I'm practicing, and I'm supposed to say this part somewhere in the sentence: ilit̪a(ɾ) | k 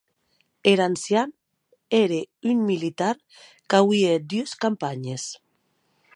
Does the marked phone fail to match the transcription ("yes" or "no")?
no